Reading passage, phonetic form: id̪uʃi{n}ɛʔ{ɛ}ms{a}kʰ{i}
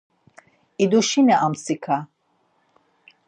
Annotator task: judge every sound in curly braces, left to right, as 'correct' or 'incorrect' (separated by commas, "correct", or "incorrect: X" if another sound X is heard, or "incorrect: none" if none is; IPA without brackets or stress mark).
correct, incorrect: a, incorrect: i, incorrect: a